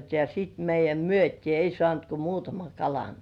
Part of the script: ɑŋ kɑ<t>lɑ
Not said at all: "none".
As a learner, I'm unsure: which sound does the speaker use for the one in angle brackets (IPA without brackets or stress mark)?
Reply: none